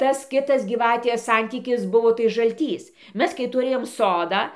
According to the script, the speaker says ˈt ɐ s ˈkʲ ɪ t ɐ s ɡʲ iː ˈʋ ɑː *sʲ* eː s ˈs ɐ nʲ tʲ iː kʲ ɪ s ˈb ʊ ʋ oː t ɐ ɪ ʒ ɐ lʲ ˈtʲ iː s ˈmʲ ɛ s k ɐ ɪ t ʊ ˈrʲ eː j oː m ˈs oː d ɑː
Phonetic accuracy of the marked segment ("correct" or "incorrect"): incorrect